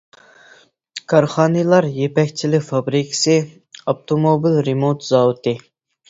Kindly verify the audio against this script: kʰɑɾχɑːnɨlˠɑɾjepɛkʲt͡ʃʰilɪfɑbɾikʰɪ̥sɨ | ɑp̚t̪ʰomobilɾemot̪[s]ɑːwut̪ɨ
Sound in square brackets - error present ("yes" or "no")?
yes